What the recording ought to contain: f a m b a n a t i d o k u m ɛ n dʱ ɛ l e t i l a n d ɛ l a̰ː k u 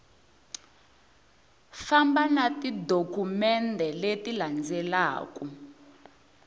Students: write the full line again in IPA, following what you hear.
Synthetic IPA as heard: f a m b a n a t i d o k u m ɛ n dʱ ɛ l e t i l a n d͡z ɛ l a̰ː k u